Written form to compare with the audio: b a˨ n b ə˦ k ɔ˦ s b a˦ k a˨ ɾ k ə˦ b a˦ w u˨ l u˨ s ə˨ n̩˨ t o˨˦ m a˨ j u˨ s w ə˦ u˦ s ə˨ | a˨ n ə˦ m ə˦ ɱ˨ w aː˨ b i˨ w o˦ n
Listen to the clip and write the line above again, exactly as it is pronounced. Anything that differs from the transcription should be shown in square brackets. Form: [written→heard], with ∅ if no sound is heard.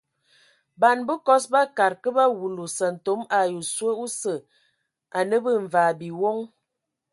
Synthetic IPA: b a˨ n b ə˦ k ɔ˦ s b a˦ k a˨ ɾ k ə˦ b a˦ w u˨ l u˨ s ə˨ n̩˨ t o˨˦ m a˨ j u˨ s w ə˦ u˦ s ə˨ | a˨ n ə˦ [m→b] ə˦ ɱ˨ [w→v] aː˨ b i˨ w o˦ [n→ŋ]